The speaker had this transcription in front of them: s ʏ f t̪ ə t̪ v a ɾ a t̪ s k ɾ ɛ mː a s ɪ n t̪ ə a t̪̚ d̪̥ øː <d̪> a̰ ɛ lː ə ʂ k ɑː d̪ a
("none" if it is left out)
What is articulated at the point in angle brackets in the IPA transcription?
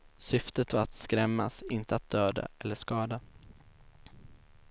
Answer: d̪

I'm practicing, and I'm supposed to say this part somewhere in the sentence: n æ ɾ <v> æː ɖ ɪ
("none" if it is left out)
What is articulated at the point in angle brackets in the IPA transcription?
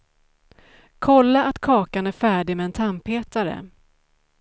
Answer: f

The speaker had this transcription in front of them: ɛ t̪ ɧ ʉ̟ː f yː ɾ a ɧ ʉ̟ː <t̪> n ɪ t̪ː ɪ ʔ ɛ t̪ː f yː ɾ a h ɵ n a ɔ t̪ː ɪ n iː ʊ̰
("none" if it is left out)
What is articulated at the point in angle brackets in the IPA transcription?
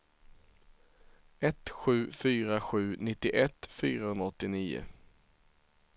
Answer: none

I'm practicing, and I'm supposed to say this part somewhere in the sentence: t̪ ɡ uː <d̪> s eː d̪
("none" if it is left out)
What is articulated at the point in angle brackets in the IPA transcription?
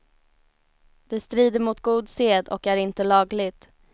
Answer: d̪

